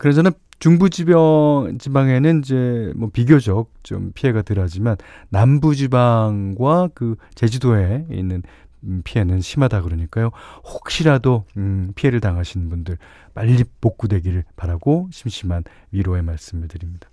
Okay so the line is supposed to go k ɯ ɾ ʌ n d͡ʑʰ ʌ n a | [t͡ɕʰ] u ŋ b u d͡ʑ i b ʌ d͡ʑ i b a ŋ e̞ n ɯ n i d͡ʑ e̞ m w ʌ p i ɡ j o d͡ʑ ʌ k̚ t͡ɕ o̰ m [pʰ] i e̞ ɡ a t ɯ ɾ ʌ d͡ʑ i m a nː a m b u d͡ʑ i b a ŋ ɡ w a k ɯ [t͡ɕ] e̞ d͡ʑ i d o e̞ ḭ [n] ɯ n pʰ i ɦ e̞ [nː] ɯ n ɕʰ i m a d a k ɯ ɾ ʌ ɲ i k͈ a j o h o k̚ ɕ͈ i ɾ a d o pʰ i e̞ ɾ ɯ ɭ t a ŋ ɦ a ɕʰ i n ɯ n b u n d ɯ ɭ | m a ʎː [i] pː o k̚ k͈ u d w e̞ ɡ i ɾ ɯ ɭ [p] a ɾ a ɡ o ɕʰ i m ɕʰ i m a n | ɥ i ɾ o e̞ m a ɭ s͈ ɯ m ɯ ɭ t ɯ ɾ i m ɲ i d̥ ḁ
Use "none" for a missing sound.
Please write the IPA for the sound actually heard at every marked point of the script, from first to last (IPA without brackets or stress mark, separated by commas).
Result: t͡ɕ, pʰ, t͡ɕ, nː, n, i, p